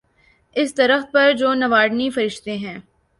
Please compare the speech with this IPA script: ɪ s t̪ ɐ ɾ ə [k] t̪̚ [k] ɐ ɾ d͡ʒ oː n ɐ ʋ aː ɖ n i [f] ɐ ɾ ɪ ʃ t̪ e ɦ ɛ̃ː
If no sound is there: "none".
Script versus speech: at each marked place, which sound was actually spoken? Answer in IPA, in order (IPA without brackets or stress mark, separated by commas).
x, p, f